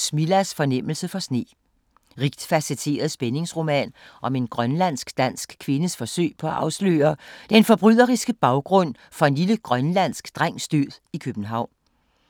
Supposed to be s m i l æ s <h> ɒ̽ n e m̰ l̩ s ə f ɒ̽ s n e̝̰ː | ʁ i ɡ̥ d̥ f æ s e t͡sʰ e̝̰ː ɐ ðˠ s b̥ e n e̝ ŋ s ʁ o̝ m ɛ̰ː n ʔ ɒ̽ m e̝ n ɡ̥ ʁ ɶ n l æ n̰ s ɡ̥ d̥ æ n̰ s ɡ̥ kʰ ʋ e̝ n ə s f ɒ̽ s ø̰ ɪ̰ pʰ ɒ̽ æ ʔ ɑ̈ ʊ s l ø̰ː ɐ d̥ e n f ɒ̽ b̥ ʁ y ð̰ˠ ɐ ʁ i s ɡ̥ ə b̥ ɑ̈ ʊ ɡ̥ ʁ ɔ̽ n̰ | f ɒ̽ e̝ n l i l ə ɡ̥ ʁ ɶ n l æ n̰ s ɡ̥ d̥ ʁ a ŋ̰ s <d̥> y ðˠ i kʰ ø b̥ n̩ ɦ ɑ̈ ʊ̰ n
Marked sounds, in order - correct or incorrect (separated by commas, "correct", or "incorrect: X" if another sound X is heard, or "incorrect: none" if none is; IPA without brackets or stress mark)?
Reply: incorrect: f, correct